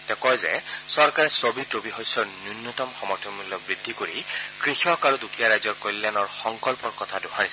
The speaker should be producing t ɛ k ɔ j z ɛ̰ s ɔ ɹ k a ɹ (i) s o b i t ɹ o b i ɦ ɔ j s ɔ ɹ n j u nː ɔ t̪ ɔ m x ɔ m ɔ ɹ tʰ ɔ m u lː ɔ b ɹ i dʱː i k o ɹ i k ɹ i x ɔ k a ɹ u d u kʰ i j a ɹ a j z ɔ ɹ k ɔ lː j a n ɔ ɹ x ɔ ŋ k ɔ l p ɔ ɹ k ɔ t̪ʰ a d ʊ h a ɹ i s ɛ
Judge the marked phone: incorrect: ɛ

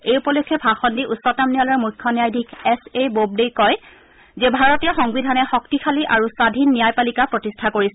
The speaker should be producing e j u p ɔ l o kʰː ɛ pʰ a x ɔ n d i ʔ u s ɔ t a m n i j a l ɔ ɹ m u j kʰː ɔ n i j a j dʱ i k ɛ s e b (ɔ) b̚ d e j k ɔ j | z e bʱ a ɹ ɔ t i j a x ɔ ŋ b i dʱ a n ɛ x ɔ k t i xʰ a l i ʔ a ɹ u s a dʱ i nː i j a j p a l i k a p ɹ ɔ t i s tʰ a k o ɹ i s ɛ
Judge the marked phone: incorrect: o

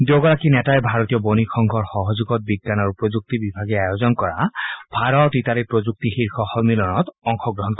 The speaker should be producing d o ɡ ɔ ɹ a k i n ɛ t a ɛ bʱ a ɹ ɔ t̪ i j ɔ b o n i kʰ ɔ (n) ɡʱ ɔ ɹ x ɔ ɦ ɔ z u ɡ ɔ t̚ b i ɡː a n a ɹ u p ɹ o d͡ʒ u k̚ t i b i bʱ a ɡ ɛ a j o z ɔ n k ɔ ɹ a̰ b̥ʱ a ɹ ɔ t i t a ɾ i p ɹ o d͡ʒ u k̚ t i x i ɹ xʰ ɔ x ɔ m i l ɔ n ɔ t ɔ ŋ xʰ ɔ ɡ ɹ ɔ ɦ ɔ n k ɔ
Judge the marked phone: incorrect: ŋ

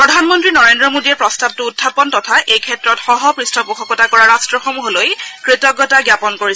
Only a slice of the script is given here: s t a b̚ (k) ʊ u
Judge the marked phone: incorrect: t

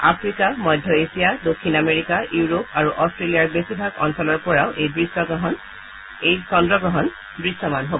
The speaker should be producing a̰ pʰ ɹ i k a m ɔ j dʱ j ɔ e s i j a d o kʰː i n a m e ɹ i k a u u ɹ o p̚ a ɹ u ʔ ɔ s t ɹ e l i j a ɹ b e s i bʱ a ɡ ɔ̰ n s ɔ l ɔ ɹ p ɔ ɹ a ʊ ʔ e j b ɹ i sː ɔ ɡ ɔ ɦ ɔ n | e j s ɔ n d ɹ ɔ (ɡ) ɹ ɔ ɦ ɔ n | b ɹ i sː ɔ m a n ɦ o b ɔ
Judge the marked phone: correct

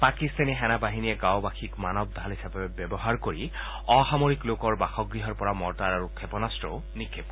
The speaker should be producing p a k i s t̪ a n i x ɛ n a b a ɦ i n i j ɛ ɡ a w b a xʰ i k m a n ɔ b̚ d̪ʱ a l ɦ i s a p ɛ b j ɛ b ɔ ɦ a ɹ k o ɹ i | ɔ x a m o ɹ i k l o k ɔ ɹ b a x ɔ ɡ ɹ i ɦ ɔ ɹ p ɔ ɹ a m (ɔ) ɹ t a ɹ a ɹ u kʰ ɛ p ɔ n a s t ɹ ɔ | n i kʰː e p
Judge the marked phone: correct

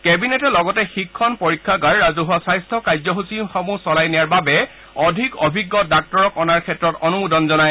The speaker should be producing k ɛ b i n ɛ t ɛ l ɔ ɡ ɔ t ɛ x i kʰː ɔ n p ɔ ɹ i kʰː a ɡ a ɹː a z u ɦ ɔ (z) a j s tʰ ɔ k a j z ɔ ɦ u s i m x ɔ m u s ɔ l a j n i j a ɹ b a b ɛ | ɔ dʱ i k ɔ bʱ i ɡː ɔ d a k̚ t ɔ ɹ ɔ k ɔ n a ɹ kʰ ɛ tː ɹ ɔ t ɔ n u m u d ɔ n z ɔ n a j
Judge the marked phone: incorrect: s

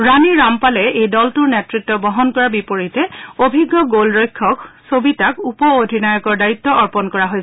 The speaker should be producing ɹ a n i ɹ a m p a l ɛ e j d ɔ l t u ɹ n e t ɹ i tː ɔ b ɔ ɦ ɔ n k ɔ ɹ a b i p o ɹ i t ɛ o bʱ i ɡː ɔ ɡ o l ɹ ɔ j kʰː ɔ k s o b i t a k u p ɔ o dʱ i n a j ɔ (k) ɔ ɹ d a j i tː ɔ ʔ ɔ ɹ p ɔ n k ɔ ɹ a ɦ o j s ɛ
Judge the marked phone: correct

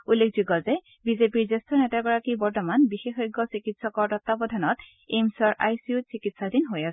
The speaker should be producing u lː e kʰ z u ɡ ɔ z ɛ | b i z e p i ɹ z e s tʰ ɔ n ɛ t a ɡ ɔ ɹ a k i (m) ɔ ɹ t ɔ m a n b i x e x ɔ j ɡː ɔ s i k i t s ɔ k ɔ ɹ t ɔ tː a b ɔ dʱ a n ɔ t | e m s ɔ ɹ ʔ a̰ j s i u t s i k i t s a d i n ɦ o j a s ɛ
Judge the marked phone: incorrect: b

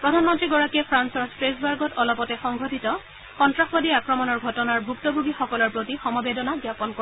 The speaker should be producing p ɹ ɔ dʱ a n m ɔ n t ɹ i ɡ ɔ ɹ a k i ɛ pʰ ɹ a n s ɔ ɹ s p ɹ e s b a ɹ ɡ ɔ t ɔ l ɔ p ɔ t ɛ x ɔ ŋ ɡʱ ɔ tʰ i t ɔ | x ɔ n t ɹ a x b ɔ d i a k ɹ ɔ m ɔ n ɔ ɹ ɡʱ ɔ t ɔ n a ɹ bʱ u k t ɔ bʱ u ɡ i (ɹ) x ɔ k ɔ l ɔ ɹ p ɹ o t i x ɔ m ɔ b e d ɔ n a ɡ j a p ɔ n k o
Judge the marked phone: incorrect: none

